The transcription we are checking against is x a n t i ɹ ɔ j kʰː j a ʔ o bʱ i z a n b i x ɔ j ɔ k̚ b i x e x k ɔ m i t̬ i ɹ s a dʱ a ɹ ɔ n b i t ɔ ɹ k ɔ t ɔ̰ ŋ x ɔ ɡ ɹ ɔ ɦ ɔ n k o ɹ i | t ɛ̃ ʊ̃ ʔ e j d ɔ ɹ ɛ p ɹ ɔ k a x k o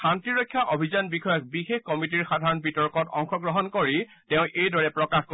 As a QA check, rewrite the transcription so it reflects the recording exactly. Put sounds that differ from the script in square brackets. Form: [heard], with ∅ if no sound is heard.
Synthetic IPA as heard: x a n t i ɹ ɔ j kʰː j a ʔ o bʱ i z a n b i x ɔ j ɔ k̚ b i x e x k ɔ m i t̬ i ɹ [x] a dʱ a ɹ ɔ n b i t ɔ ɹ k ɔ t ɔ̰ ŋ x ɔ ɡ ɹ ɔ ɦ ɔ n k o ɹ i | t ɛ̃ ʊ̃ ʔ e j d ɔ ɹ ɛ p ɹ ɔ k a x k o